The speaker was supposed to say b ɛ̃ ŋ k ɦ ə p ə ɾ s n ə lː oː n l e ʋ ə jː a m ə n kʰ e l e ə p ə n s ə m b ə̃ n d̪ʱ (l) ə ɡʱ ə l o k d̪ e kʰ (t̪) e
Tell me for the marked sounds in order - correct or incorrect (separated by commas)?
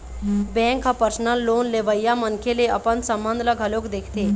correct, correct